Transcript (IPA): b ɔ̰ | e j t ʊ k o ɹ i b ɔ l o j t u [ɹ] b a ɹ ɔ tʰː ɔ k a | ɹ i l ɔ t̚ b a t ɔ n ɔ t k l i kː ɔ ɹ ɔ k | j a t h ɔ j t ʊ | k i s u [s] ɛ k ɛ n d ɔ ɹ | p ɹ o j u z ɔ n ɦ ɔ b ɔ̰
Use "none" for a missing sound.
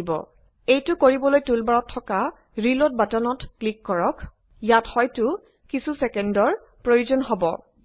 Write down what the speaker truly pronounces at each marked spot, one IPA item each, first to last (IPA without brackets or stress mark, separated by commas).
l, s